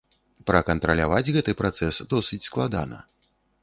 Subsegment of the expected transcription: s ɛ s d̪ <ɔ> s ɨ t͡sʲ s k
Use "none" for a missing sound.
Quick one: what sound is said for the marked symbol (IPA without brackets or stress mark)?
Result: ɔ